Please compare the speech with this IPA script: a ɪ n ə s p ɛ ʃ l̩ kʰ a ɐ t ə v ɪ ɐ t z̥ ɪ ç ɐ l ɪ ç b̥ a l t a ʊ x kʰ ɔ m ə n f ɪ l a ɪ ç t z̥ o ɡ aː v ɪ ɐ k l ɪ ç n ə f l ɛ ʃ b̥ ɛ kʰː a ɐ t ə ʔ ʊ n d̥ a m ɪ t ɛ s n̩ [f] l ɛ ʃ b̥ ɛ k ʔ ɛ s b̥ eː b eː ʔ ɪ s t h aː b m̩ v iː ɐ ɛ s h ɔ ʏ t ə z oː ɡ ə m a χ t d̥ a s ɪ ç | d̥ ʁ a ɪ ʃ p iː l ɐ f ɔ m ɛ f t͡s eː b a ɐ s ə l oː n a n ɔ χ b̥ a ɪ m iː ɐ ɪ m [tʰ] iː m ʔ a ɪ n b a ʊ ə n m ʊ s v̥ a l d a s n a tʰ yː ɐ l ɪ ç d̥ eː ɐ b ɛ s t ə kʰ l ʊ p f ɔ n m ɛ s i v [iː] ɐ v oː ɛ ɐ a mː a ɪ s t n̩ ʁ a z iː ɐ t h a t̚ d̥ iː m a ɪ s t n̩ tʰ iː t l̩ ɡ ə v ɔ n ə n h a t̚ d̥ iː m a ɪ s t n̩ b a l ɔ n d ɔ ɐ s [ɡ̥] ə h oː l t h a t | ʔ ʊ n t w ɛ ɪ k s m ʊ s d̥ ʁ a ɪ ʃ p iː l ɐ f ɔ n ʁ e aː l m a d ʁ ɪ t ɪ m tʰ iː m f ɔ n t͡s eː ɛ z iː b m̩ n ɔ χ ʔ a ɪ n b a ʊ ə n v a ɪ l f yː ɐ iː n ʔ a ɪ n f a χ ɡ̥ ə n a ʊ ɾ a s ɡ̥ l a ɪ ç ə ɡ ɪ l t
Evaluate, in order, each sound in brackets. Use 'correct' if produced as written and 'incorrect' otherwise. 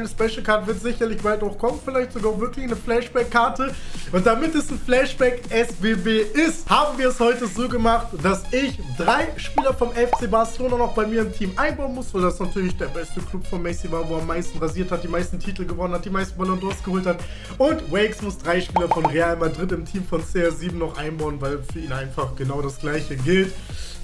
correct, correct, incorrect: aː, correct

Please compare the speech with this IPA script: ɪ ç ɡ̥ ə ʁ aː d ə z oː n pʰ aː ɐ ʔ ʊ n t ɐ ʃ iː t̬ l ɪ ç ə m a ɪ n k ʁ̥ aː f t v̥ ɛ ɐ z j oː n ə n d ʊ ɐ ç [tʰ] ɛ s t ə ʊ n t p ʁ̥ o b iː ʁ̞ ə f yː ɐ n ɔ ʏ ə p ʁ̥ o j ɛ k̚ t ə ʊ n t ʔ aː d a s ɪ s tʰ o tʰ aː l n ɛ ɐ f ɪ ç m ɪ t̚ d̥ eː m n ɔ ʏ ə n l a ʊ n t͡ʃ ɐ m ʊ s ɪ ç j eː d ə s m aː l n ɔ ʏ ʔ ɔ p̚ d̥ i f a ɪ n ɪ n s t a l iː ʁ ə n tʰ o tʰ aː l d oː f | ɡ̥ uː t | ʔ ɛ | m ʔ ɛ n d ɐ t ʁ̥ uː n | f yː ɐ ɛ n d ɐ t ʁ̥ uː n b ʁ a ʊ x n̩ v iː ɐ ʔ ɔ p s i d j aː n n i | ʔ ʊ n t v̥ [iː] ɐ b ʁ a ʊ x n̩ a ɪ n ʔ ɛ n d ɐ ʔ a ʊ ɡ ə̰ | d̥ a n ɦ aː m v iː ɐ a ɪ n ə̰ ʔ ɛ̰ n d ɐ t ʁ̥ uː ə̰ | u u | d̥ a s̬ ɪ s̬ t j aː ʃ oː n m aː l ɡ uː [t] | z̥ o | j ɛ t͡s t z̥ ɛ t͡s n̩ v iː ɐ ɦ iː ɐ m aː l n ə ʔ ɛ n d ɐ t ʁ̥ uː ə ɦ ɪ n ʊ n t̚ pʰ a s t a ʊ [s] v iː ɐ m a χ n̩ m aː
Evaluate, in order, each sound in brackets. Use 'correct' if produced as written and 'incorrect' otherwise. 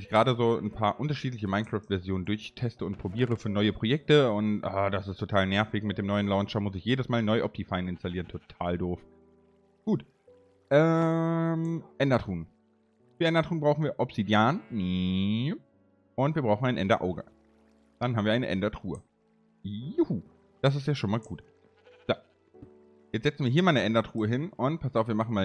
correct, correct, correct, incorrect: f

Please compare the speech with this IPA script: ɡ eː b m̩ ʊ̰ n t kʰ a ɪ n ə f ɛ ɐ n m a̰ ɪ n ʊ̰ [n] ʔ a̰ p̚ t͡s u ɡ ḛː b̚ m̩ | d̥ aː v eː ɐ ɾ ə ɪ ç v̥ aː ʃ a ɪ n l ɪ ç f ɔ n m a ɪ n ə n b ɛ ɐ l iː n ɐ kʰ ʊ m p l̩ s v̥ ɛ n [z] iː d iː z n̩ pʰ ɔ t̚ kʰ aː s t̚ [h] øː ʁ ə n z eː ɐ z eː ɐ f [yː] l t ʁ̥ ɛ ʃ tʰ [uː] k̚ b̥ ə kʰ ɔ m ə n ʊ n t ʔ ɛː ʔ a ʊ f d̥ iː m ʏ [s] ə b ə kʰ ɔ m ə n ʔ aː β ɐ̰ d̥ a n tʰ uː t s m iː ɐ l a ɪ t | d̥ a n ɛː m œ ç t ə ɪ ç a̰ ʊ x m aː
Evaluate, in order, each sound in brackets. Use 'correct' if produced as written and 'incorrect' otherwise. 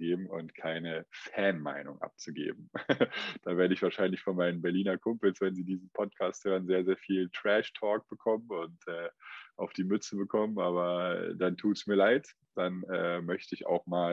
incorrect: ŋ, correct, correct, incorrect: iː, incorrect: ɔː, incorrect: t͡s

